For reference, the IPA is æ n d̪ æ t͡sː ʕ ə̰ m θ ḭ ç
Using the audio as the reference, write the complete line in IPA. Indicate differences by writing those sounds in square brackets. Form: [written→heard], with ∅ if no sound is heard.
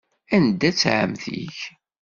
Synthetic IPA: æ n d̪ æ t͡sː ʕ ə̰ m θ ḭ ç